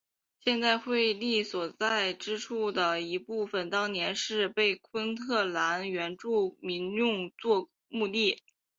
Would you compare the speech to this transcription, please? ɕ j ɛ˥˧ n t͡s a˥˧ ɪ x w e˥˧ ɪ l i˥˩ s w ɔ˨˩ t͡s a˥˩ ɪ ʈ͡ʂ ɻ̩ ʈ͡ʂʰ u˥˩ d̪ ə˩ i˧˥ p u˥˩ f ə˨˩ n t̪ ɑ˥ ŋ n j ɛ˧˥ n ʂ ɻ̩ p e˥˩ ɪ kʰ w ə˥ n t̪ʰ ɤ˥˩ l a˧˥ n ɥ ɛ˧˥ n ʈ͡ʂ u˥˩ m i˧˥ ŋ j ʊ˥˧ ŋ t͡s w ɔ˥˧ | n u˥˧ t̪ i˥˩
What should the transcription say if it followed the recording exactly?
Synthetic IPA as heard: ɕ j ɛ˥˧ n t͡s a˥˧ ɪ x w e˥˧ ɪ l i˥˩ s w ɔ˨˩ t͡s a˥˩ ɪ ʈ͡ʂ ɻ̩ ʈ͡ʂʰ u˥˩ d̪ ə˩ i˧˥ p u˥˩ f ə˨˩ n t̪ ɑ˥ ŋ n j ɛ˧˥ n ʂ ɻ̩ p e˥˩ ɪ kʰ w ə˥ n t̪ʰ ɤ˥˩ l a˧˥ n ɥ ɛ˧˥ n ʈ͡ʂ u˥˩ m i˧˥ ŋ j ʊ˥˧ ŋ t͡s w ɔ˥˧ | m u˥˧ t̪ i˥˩